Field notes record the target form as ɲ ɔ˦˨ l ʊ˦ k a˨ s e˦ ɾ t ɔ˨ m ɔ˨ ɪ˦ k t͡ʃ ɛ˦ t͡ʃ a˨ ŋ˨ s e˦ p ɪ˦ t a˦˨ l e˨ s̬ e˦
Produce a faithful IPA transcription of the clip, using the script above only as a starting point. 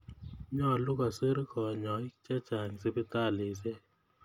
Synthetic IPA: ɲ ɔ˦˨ l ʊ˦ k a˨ s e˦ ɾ k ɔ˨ ɲ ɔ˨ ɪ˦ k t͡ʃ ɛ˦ t͡ʃ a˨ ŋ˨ s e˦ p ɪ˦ t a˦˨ l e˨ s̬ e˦

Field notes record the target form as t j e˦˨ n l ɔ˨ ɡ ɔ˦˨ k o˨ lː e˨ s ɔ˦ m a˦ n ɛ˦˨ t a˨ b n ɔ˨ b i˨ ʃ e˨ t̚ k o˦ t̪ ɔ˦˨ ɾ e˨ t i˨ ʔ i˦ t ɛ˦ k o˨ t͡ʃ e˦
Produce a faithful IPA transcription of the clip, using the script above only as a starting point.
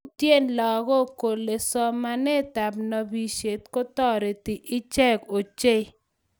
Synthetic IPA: t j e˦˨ n l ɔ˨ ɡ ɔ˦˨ k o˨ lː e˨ s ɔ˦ m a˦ n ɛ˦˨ t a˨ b n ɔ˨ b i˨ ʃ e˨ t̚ k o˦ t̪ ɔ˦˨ ɾ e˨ t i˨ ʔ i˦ t͡ʃ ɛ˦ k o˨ t͡ʃ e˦

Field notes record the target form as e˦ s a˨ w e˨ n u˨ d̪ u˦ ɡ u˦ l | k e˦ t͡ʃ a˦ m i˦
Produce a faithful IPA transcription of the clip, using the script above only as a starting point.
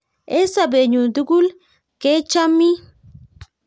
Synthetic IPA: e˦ s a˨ b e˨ ɲ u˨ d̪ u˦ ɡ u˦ l | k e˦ t͡ʃ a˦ m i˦

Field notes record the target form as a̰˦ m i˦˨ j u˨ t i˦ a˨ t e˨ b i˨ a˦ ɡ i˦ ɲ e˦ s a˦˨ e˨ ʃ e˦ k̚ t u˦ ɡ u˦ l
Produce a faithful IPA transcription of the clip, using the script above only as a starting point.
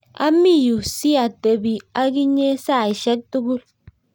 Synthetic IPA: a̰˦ m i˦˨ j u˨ s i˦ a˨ t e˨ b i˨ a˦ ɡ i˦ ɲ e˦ s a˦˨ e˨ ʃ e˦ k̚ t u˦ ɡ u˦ l

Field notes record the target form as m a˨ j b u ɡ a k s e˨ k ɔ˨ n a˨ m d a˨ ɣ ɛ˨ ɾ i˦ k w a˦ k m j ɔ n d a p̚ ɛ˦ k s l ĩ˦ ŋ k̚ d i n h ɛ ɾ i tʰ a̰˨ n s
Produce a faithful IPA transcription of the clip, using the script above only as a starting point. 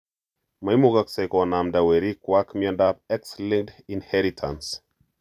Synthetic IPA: m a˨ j m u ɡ a k s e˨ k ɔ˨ n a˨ m d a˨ w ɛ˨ ɾ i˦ k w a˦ k m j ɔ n d a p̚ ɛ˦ k s l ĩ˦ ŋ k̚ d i n h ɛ ɾ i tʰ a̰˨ n s

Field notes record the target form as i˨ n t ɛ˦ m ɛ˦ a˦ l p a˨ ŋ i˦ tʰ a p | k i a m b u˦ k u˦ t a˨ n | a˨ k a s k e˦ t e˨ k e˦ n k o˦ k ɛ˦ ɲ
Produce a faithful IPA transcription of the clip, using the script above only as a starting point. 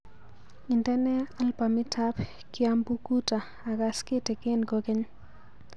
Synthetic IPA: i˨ n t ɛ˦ n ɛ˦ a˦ l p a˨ m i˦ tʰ a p | k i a m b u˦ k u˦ t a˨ | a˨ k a s k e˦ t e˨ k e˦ n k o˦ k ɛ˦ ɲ

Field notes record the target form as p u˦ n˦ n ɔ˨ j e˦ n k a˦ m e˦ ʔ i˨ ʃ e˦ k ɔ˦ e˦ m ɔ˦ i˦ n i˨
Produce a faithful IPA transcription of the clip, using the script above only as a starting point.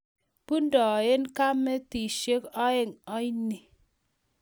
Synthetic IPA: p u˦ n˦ d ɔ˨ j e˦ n k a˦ m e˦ t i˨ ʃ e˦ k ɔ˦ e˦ ŋ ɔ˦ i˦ n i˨

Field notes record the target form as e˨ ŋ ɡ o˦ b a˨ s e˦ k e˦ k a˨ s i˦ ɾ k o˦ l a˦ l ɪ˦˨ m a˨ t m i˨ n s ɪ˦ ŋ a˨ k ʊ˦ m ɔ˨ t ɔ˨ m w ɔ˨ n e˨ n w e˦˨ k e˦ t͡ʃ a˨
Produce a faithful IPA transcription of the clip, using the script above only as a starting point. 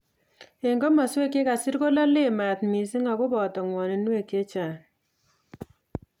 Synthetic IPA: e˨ ŋ ɡ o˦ m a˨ s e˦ k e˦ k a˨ s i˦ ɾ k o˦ l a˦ l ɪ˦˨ m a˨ t m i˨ s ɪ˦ ŋ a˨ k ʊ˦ b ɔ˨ t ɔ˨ ŋ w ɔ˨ n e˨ n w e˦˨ k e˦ t͡ʃ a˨

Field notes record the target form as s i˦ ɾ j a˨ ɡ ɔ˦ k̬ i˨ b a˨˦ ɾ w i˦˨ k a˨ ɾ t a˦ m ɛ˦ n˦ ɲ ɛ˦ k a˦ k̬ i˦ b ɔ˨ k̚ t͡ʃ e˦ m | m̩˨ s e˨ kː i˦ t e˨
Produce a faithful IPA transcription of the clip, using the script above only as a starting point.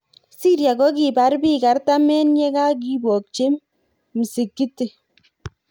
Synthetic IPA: s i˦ ɾ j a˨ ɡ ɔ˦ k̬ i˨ b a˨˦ ɾ b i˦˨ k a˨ ɾ t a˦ m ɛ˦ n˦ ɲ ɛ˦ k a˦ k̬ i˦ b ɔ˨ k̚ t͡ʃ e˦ m | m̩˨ s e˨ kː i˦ t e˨

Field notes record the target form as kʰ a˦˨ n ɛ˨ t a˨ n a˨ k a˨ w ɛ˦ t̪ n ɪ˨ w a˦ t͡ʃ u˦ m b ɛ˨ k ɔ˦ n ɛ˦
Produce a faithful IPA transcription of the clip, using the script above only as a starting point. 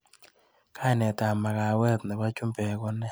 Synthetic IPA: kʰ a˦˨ n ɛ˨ t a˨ m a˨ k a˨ w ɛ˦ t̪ n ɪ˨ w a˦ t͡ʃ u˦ m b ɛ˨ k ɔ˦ n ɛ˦

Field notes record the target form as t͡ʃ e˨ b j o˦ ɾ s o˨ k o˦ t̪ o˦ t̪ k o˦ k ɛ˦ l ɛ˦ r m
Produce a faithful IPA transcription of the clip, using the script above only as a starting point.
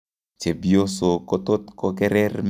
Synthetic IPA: t͡ʃ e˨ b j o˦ s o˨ k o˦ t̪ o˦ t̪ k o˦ k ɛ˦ ɾ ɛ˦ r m

